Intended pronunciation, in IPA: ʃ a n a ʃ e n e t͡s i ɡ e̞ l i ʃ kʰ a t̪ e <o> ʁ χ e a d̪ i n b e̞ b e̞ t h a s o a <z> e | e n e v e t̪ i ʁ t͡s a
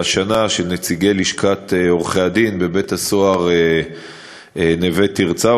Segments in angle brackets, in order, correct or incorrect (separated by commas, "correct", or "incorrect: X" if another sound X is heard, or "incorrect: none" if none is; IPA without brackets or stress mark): correct, incorrect: ʁ